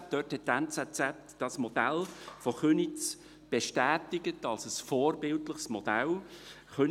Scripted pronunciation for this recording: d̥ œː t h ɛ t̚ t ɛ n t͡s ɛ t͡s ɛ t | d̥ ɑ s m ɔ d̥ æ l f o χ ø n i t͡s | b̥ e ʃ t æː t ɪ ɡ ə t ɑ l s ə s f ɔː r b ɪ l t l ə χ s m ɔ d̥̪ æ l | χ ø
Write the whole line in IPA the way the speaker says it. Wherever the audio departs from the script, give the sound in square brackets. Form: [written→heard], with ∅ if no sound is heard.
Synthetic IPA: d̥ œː t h ɛ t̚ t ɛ n t͡s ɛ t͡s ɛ t | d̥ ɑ s m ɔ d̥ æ l f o χ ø n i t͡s | b̥ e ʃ t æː t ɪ ɡ ə t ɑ l s ə s f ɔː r b ɪ l t l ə χ s m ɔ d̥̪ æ l | χ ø